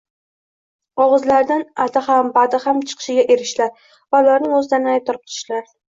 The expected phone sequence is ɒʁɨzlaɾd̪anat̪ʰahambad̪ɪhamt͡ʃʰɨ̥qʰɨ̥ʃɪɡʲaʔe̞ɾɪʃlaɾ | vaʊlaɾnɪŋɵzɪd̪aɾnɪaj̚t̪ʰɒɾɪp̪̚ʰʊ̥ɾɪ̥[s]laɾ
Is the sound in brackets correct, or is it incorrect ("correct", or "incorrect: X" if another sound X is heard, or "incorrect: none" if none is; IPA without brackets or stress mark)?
incorrect: ʃ